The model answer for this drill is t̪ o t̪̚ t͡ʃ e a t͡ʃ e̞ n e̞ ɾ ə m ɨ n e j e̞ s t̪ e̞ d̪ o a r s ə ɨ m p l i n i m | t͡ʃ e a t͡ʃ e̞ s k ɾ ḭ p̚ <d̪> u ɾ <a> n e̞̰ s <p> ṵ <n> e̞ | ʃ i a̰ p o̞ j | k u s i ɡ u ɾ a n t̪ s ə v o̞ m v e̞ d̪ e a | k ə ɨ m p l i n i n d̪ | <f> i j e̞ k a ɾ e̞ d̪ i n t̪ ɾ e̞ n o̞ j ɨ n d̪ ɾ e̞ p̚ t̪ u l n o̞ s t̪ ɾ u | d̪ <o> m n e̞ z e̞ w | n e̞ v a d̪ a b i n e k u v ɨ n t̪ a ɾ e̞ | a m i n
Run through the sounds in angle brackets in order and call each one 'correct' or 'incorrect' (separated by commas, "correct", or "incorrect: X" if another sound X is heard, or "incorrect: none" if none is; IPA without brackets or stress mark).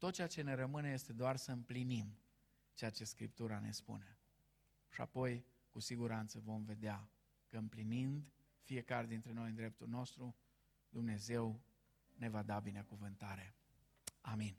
incorrect: t̪, correct, correct, correct, correct, incorrect: u